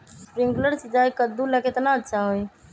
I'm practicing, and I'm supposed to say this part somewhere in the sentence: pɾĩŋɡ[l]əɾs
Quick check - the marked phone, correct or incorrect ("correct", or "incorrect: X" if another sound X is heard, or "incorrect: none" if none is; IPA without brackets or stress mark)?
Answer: correct